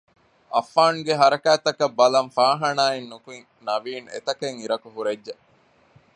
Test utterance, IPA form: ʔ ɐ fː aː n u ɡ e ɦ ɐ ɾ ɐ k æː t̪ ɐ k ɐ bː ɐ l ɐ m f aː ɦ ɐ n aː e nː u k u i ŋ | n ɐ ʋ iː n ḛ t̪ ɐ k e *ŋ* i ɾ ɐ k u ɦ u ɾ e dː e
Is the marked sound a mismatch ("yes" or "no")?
no